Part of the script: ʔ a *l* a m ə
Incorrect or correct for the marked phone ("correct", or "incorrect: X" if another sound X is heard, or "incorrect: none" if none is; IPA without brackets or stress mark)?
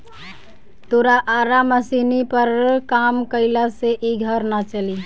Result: incorrect: ɾ